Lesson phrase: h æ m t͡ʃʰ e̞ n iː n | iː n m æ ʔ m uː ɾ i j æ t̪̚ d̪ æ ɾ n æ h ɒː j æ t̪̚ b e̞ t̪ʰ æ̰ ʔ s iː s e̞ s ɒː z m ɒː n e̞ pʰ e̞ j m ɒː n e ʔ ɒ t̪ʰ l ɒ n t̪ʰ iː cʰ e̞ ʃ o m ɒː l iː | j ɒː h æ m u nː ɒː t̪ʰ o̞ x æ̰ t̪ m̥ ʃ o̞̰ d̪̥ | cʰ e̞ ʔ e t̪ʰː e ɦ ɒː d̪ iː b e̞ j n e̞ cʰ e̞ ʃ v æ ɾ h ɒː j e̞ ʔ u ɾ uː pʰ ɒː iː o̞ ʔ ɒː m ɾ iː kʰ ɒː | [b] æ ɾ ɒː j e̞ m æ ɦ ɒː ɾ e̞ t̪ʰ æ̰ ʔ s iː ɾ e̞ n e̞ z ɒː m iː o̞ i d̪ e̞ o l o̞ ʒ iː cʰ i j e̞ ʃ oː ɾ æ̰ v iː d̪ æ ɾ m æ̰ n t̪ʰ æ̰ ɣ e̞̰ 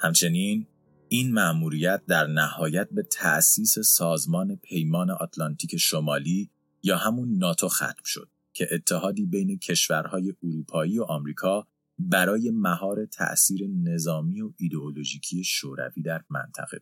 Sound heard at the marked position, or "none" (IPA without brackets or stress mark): b